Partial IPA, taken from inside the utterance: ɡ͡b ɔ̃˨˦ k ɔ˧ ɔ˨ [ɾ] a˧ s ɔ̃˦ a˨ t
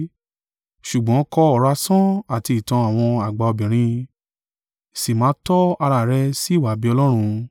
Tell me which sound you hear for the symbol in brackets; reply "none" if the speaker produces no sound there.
ɾ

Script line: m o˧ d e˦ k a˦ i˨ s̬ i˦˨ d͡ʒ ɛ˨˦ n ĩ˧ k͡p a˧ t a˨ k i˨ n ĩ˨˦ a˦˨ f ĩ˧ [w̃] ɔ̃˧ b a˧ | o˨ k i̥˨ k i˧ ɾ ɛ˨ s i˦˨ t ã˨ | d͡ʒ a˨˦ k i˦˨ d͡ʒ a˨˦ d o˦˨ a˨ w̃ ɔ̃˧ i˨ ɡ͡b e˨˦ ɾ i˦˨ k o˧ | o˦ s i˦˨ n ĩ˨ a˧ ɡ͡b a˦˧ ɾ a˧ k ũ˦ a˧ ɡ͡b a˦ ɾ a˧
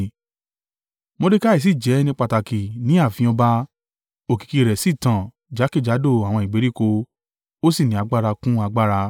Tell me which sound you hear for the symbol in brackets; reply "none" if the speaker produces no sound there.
none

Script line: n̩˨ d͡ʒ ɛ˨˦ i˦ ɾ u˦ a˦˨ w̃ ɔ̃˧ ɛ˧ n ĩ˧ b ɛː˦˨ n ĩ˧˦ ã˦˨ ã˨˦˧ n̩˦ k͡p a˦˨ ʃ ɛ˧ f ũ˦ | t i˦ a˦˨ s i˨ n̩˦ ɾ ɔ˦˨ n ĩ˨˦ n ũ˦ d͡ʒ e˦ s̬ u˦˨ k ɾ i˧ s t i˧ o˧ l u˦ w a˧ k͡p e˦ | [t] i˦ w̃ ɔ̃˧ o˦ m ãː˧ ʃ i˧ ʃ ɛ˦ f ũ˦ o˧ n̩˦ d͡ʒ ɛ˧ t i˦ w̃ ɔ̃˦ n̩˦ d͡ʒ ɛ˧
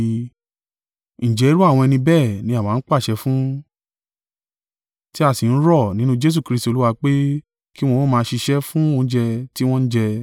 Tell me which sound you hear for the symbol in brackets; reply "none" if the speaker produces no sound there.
k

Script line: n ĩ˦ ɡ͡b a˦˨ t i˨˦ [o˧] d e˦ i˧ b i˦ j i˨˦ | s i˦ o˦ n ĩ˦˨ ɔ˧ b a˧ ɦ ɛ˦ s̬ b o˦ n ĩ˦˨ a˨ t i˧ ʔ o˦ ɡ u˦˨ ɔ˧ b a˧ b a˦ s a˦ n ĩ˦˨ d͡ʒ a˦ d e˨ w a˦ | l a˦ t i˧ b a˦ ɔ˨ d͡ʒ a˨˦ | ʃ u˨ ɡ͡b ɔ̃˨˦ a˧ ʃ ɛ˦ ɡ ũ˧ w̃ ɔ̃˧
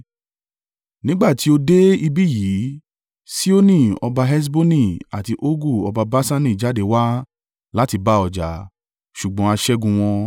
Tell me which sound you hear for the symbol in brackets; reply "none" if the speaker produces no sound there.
o˧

